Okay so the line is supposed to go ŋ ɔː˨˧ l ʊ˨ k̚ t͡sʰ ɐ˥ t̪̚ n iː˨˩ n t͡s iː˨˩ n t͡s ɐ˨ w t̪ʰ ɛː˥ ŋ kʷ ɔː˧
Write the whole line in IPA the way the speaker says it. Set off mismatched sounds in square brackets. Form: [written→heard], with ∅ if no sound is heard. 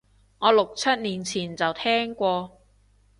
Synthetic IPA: ŋ ɔː˨˧ l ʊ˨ k̚ t͡sʰ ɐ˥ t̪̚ n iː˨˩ n [t͡s→t͡sʰ] iː˨˩ n t͡s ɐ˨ w t̪ʰ ɛː˥ ŋ kʷ ɔː˧